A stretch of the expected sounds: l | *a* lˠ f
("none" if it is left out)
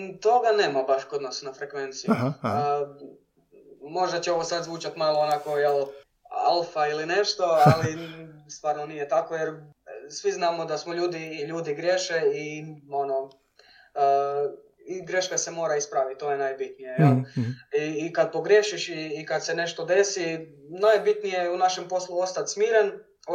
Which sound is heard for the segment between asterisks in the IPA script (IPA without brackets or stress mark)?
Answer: a